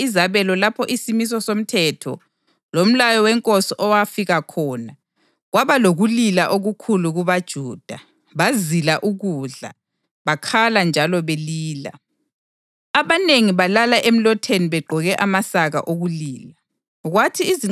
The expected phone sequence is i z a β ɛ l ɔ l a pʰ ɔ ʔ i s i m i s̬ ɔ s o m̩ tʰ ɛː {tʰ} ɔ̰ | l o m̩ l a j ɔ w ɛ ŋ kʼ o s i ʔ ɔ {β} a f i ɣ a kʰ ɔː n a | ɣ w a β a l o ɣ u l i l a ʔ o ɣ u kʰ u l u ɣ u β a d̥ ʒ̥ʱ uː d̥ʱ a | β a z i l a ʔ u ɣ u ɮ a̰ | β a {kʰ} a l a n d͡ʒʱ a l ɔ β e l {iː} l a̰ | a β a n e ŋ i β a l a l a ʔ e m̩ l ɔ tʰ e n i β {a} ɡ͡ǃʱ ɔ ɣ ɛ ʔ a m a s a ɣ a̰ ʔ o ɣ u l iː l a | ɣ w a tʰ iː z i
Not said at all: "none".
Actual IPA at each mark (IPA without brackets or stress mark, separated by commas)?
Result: tʰ, w, kʰ, iː, ɛ